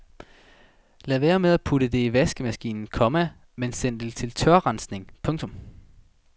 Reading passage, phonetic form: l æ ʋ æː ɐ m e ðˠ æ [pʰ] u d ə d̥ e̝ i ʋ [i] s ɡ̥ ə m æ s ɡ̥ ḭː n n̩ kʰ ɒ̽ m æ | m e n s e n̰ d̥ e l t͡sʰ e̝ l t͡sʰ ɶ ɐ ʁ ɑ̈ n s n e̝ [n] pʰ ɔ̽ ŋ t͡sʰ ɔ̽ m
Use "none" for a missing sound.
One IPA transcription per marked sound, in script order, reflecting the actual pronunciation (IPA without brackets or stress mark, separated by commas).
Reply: pʰ, æ, ŋ